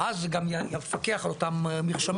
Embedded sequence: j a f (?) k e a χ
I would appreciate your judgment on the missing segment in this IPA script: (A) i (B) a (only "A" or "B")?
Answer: B